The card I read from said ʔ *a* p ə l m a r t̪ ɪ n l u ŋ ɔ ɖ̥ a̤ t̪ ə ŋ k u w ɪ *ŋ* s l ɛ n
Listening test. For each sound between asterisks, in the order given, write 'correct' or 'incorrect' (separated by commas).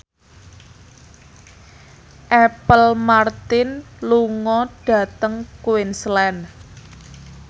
incorrect, incorrect